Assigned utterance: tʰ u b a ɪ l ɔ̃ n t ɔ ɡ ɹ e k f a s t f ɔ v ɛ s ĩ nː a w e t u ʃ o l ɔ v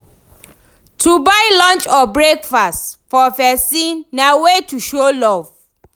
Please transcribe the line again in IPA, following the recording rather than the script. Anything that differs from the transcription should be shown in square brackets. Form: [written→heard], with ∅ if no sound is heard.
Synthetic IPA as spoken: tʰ u b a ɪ l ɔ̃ n [t→t͡ʃ] ɔ [ɡ→b] ɹ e k f a s t f ɔ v ɛ s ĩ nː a w e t u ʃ o l ɔ v